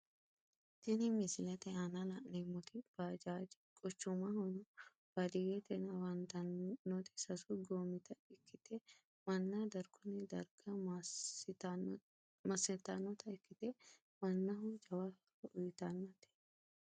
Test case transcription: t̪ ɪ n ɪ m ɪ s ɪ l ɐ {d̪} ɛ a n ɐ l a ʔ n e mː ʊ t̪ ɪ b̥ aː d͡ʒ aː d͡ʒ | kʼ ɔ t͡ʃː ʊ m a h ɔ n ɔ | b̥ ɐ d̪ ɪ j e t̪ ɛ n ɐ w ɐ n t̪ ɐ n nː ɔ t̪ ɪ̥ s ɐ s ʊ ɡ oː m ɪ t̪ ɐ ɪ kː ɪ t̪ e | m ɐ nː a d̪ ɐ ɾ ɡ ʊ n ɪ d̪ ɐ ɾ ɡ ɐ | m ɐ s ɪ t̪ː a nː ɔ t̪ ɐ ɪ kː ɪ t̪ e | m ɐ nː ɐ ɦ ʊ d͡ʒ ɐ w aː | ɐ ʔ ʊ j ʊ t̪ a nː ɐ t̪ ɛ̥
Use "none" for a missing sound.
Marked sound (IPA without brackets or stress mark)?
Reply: t̪